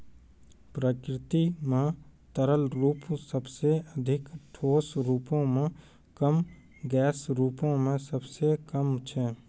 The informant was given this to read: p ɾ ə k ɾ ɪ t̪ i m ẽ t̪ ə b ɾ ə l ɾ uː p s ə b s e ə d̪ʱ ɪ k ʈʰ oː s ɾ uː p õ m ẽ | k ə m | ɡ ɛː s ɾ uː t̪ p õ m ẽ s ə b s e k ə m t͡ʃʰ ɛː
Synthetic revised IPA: p ɾ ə k ɾ ɪ t̪ i m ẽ t̪ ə ɾ ə l ɾ uː p s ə b s e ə d̪ʱ ɪ k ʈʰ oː s ɾ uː p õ m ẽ | k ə m | ɡ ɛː s ɾ uː p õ m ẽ s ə b s e k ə m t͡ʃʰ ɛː